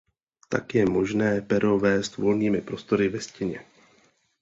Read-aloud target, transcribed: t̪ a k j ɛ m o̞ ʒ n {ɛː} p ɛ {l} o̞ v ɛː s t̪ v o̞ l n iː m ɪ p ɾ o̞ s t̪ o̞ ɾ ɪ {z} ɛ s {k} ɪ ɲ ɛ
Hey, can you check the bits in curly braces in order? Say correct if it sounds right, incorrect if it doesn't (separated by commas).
correct, incorrect, incorrect, incorrect